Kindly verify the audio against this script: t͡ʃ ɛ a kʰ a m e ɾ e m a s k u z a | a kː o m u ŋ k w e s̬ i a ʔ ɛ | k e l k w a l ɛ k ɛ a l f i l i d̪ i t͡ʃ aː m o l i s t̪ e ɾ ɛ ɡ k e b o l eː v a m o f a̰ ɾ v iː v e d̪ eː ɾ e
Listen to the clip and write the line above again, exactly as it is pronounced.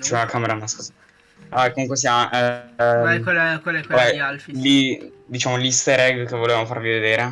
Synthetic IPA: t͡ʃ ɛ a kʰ a m e ɾ a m a s k u z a | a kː o m u ŋ k w e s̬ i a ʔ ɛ | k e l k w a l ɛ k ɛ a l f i l i d̪ i t͡ʃ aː m o l i s t̪ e ɾ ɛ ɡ k e v o l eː v a m o f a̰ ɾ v i v e d̪ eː ɾ e